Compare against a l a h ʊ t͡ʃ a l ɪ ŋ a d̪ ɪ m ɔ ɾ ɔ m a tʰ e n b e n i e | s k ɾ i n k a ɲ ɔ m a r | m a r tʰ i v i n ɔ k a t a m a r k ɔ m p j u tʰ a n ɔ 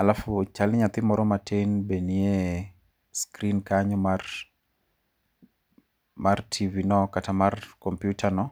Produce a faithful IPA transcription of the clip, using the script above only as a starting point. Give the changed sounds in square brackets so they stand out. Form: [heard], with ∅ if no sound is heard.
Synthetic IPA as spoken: a l a [f] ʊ t͡ʃ a l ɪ [ɲ] a [t̪] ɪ m ɔ ɾ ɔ m a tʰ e n b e n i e | s k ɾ i n k a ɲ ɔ m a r | m a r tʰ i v i n ɔ k a t a m a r k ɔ m p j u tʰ a n ɔ